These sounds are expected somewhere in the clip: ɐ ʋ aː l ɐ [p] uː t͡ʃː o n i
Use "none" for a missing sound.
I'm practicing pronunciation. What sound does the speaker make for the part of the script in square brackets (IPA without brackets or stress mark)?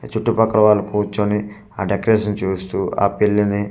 k